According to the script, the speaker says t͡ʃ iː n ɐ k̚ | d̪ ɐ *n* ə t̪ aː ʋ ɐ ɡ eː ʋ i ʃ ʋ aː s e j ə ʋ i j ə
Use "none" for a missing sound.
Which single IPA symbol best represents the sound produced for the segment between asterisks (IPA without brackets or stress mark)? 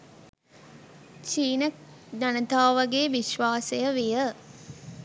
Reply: n